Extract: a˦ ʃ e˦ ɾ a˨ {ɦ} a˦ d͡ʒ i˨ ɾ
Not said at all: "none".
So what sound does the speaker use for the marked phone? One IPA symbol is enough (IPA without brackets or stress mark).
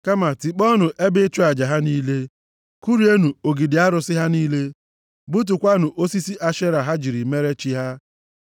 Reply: ɦ